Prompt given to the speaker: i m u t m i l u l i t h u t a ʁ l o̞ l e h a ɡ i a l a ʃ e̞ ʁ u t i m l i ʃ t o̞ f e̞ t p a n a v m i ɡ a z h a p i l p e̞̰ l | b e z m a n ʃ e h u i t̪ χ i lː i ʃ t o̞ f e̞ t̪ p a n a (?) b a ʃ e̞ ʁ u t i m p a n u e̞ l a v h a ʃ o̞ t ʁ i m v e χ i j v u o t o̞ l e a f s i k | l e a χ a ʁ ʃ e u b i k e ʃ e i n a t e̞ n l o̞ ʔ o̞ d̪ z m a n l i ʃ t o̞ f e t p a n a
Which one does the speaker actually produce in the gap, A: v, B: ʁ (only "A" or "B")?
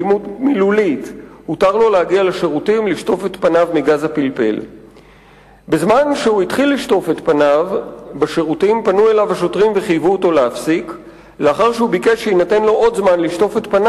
A